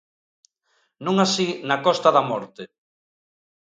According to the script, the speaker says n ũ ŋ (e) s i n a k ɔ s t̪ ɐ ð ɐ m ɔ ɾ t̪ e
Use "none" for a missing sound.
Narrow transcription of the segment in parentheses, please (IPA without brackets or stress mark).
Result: a